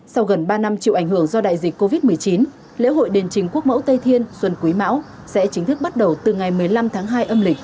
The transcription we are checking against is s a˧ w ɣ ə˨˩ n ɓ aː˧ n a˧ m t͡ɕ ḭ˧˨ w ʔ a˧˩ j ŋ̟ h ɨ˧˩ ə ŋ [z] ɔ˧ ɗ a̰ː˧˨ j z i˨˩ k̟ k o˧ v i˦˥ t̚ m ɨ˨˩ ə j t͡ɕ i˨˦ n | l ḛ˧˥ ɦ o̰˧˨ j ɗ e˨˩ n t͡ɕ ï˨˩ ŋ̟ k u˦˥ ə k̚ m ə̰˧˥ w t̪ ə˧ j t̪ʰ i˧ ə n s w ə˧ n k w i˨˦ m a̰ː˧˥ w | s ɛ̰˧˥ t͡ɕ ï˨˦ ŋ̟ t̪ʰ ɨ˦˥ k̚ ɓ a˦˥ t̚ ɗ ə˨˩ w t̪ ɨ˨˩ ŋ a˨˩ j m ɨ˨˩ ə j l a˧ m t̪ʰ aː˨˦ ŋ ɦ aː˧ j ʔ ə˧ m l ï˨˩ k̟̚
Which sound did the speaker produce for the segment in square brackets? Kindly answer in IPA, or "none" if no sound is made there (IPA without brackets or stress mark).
z